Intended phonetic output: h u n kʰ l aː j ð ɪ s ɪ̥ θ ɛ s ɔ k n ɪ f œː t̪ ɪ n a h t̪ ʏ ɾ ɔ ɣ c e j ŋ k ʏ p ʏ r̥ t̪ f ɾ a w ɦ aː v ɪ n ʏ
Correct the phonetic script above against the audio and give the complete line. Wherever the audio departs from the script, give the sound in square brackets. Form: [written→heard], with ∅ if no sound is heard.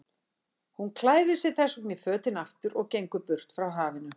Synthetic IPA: h u n kʰ l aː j ð ɪ s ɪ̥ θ ɛ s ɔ k n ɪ f œː t̪ ɪ n a [h→f] t̪ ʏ ɾ ɔ ɣ c e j ŋ k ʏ p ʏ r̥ t̪ f ɾ a w ɦ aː v ɪ n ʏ